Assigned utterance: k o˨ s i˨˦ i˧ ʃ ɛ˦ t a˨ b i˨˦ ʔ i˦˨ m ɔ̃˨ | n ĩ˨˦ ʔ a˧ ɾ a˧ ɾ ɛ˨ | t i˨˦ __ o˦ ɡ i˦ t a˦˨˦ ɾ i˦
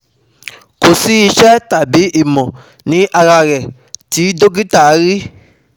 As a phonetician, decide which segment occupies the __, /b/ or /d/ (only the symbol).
d